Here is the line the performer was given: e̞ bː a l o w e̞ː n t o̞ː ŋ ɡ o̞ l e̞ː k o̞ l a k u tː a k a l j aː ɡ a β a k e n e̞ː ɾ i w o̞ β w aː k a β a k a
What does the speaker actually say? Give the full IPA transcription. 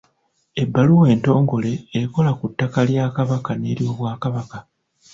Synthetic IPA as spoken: e̞ bː a l u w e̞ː n t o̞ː ŋ ɡ o̞ l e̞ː k o̞ l a k u tː a k a l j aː k a β a k a n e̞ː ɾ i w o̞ β w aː k a β a k a